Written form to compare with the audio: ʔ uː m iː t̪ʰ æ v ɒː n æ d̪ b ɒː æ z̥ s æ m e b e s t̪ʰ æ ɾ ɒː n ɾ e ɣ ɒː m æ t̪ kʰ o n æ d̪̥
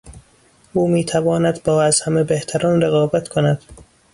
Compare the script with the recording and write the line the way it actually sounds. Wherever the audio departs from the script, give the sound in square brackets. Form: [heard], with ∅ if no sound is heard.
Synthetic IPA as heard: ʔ uː m iː t̪ʰ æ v ɒː n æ d̪ b ɒː æ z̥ [h] æ m e b e [h] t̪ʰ æ ɾ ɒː n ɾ e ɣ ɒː [b] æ t̪ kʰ o n æ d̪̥